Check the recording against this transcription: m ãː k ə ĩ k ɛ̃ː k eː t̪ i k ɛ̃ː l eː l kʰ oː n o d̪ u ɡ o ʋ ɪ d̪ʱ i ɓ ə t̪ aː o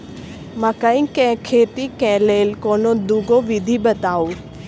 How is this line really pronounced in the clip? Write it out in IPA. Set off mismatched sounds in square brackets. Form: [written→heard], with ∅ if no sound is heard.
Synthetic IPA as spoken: m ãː k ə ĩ k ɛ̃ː [k→kʰ] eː t̪ i k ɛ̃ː l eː l [kʰ→k] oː n o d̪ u ɡ o ʋ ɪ d̪ʱ i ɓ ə t̪ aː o